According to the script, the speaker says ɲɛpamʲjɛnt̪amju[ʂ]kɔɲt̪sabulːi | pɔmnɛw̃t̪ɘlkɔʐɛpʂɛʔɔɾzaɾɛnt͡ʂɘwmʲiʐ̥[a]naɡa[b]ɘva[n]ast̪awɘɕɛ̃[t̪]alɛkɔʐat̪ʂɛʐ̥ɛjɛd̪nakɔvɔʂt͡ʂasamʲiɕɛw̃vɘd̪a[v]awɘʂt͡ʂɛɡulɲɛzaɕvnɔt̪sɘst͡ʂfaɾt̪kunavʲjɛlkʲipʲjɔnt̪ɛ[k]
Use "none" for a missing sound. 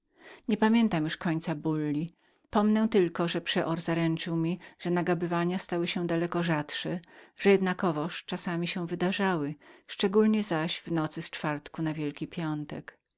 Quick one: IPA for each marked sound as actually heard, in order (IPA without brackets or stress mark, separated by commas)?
ʂ, ɛ, b, ɲ, d̪, ʐ, k